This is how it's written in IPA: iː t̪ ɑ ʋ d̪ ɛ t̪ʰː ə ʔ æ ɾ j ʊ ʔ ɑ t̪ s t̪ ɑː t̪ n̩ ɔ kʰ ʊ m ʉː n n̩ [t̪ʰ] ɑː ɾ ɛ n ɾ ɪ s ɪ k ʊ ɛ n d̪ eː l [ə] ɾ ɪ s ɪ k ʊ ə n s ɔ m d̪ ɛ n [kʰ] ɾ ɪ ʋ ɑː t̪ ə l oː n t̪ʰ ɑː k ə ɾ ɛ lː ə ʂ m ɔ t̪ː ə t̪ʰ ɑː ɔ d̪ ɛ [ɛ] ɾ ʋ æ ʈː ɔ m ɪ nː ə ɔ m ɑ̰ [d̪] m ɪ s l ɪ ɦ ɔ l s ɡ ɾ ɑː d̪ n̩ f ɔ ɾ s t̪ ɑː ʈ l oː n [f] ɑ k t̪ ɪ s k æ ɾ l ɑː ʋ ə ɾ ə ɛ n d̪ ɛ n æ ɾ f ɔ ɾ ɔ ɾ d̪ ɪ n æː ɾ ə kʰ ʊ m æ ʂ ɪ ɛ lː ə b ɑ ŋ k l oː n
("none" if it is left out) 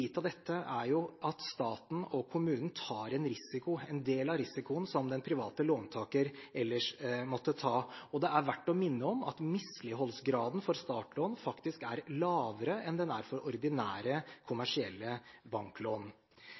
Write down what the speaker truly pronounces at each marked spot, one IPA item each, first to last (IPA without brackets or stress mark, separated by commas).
t̪ʰ, ɑ, pʰ, æ, t̪, f